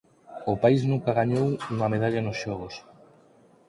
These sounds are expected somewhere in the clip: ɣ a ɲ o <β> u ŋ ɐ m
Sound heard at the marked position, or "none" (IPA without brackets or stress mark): w